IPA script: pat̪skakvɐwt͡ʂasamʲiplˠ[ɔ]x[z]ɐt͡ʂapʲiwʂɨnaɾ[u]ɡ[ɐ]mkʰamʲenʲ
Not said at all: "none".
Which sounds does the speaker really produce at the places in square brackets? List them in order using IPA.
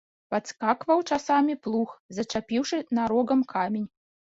u, z, ɔ, ɐ

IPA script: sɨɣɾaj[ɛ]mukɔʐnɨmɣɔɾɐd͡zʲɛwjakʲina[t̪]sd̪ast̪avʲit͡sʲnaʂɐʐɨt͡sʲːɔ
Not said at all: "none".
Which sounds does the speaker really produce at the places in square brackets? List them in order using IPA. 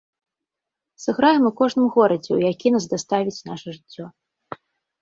ɛ, none

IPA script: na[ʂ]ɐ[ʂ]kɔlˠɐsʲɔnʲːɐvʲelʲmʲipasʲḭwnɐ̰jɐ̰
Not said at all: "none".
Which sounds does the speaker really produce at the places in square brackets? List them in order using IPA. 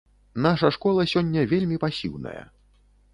ʂ, ʂ

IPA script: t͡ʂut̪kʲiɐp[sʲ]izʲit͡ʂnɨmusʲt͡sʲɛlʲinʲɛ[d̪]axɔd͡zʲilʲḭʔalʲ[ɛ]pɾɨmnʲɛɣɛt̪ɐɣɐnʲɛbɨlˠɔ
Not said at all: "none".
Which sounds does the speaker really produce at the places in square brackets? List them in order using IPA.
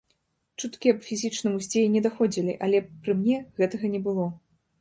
fʲ, d̪, ɛ

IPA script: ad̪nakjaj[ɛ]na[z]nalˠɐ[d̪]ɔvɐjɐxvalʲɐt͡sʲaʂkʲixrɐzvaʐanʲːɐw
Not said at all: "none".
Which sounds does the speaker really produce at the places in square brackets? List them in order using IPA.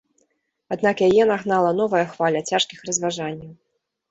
ɛ, ɣ, n̪

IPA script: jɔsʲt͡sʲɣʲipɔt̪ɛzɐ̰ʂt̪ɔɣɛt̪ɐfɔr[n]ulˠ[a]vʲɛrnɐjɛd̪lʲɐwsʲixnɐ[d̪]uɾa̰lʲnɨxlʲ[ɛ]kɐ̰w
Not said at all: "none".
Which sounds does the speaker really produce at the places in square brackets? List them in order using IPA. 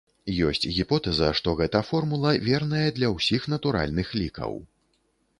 m, ɐ, t̪, i

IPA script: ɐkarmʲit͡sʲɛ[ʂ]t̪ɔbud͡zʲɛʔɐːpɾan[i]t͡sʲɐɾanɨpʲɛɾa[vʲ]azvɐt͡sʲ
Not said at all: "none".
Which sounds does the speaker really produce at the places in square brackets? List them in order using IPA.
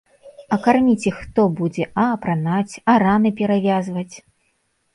x, a, vʲ

